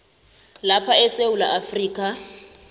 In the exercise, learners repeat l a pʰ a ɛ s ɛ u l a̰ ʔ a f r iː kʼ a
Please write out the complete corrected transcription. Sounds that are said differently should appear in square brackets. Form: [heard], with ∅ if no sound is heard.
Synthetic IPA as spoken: l a pʰ a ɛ s [e] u l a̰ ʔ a f r iː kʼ a

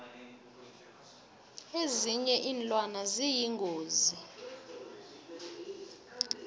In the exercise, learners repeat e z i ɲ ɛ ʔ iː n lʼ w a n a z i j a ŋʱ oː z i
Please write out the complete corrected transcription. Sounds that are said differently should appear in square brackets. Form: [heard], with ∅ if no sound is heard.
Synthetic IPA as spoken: e z i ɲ ɛ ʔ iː n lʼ w a n a z i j [i] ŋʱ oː z i

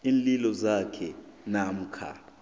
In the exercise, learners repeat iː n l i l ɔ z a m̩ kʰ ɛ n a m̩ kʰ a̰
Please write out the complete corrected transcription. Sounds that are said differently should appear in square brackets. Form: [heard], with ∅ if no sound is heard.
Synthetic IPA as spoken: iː n l i l ɔ z a [∅] kʰ ɛ n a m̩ kʰ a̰

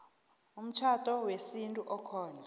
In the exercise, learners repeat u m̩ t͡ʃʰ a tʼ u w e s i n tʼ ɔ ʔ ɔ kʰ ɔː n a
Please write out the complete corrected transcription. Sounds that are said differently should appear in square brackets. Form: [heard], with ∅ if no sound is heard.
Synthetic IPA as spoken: u m̩ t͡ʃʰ a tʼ [ɔ] w e s i n tʼ [u] ʔ ɔ kʰ ɔː n a

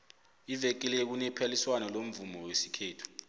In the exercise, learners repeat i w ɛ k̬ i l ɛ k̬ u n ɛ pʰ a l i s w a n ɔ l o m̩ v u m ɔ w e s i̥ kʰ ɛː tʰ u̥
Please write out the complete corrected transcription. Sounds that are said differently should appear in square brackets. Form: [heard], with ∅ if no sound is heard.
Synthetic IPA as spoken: i [v] ɛ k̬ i l ɛ k̬ u n ɛ pʰ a l i s w a n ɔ l o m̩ v u m ɔ w e s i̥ kʰ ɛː tʰ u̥

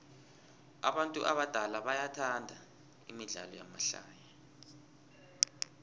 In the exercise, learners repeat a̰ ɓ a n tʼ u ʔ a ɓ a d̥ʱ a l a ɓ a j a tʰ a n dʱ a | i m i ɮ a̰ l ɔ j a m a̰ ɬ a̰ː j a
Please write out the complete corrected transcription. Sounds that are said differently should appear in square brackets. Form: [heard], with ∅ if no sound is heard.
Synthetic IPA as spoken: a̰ ɓ a n tʼ u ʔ a ɓ a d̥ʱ a l a ɓ a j a tʰ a n dʱ a | i m i ɮ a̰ l ɔ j a m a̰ ɬ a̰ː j a

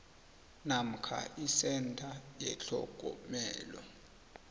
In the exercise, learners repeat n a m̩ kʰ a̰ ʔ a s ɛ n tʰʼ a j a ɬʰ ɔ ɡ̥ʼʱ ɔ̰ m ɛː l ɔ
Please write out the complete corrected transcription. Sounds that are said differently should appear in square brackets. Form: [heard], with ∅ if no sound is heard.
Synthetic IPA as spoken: n a m̩ kʰ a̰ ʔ [i] s ɛ n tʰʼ a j [ɛ] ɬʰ ɔ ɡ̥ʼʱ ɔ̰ m ɛː l ɔ

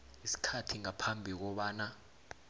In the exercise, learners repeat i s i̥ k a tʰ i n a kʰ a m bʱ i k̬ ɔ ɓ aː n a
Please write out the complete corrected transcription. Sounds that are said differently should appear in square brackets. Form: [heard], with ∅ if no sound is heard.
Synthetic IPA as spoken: i s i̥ [kʰ] a tʰ i [ŋ] a [pʰ] a m bʱ i k̬ ɔ ɓ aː n a

